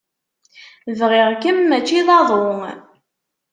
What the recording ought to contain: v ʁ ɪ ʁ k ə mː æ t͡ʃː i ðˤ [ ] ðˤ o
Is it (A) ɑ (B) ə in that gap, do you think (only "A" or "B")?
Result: A